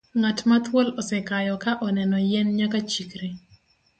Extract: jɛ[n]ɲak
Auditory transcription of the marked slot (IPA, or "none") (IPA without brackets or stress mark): n